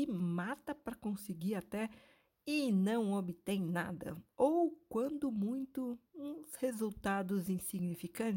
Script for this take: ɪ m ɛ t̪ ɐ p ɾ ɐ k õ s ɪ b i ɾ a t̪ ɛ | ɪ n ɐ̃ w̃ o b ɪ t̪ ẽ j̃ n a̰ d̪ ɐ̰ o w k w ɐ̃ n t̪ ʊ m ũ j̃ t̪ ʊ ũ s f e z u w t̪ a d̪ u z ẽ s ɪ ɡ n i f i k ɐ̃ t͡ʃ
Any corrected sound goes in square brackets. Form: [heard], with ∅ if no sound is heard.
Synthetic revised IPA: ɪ m [a] t̪ ɐ p ɾ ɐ k õ s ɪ [ɡ] i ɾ a t̪ ɛ | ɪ n ɐ̃ w̃ o b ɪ t̪ ẽ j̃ n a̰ d̪ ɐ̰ o w k w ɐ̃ n [d̪] ʊ m ũ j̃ t̪ ʊ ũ s [h] e z u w t̪ a d̪ [ʊ] z [ĩ] s [i] ɡ n i f i k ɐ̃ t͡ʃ